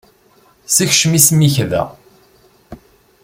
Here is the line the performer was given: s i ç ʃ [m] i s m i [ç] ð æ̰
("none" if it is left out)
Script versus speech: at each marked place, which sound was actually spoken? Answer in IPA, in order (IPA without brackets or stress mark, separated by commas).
m, ç